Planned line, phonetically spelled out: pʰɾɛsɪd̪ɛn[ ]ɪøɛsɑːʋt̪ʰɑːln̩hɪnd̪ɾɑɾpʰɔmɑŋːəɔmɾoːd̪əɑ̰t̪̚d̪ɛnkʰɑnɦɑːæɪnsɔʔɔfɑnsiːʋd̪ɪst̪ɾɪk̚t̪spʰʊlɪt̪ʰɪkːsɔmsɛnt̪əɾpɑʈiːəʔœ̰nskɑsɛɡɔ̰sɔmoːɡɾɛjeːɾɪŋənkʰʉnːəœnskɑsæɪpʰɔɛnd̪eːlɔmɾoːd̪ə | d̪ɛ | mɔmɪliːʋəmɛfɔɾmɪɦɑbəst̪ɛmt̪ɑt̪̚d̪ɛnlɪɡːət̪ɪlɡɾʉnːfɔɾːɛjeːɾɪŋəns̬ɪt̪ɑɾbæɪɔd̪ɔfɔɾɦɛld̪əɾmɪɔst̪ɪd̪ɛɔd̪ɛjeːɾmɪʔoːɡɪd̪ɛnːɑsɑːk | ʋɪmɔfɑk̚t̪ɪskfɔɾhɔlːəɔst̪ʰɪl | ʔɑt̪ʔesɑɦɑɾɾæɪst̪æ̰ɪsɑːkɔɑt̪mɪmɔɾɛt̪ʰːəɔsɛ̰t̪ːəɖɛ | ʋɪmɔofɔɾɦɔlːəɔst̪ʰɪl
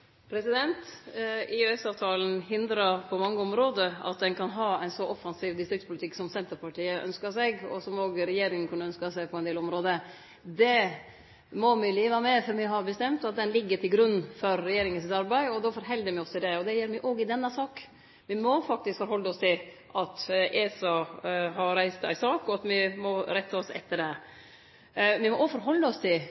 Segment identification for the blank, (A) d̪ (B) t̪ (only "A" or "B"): B